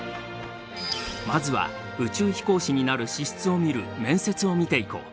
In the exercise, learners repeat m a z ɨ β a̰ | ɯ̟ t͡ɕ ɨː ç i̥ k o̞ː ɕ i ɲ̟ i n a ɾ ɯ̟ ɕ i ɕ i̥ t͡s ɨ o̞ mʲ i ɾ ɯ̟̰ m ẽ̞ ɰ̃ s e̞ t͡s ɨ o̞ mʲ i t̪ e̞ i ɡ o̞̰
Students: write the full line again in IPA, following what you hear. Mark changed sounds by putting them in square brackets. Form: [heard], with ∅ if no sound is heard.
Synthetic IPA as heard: m a z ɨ β a̰ | ɯ̟ t͡ɕ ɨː ç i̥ k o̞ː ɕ i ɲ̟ i n a ɾ ɯ̟ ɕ i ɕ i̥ t͡s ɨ o̞ mʲ i ɾ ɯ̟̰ m ẽ̞ ɰ̃ s e̞ t͡s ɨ o̞ mʲ i t̪ e̞ i [k] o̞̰